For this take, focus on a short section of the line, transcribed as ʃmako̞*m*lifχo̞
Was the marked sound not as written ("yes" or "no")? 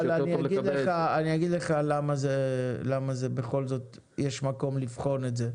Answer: no